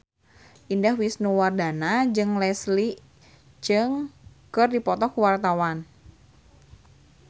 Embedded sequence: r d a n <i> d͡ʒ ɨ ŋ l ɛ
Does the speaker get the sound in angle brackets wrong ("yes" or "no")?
yes